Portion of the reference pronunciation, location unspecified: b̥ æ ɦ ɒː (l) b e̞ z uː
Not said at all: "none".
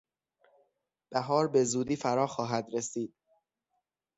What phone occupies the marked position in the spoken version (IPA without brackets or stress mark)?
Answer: ɾ